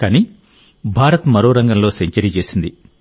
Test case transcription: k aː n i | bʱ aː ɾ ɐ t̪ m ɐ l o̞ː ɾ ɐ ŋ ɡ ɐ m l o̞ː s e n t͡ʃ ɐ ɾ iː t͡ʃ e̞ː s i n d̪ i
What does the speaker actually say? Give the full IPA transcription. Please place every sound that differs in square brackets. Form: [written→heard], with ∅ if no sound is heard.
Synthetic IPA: k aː n i | bʱ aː ɾ ɐ t̪ m ɐ [l→ɾ] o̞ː ɾ ɐ ŋ ɡ ɐ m l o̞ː s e [n→ɲ] t͡ʃ ɐ ɾ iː t͡ʃ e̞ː s i n d̪ i